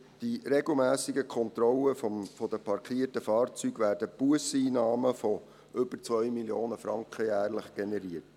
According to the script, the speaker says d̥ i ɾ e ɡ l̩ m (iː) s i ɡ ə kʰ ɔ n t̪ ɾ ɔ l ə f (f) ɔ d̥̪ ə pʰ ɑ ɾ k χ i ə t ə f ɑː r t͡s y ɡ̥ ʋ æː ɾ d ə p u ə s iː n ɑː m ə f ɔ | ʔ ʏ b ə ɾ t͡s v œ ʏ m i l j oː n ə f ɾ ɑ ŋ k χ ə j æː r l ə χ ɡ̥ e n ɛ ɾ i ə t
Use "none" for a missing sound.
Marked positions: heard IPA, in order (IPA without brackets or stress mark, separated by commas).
æː, f